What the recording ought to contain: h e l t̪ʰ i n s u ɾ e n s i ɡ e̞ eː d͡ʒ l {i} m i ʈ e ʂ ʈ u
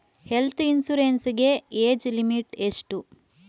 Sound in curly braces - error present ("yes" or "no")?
no